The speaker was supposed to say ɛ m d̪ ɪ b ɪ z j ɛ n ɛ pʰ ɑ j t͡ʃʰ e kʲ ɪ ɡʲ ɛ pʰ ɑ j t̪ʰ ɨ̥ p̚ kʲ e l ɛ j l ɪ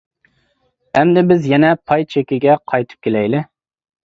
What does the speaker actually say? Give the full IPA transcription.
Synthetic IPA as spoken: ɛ m d̪ ɪ b ɪ z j ɛ n ɛ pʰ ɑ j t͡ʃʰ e kʲ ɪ ɡʲ ɛ qʰ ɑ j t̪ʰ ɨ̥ p̚ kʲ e l ɛ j l ɪ